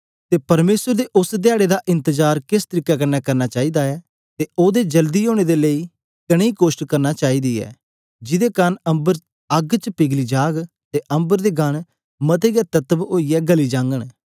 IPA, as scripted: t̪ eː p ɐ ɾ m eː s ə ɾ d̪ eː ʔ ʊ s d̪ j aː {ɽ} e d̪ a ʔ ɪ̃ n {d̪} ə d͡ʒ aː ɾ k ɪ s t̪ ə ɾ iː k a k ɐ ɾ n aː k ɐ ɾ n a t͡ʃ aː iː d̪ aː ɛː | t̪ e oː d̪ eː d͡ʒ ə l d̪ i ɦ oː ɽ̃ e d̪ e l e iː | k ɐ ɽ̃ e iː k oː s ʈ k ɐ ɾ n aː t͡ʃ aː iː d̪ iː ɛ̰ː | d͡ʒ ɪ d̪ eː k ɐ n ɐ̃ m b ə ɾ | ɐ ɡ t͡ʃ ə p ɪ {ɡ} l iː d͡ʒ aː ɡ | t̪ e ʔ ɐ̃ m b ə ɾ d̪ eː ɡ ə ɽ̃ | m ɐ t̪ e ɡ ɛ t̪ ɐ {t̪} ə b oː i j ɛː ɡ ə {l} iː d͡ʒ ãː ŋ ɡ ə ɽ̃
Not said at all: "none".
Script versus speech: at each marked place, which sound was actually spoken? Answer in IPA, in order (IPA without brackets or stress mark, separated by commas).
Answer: ɽ, t̪, ɡ, t̪, l